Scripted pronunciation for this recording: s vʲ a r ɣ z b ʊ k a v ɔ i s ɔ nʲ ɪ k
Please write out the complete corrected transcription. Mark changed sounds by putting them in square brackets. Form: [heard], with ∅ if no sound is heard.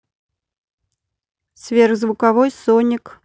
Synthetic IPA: s vʲ [e] r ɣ z [v] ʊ k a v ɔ [j] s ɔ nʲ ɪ k